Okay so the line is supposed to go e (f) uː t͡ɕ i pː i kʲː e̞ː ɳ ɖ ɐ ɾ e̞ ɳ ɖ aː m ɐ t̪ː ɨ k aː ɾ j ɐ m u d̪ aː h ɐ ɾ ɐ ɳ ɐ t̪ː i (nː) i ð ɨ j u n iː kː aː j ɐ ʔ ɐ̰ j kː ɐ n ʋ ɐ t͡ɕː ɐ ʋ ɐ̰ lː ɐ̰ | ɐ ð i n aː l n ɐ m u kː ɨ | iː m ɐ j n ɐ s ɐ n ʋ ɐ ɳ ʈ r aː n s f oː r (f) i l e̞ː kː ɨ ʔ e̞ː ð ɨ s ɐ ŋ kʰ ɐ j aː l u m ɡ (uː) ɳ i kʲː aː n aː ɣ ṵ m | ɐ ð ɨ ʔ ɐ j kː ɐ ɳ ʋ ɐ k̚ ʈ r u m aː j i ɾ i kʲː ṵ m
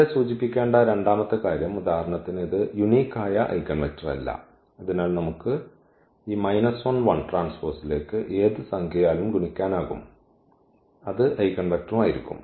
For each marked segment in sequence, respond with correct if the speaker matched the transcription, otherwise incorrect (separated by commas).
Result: incorrect, incorrect, incorrect, incorrect